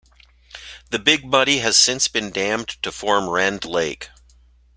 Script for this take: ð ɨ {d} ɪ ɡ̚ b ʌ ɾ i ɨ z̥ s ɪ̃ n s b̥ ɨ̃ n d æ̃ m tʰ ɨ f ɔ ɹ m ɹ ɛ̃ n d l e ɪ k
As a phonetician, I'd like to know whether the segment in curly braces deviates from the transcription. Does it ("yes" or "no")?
yes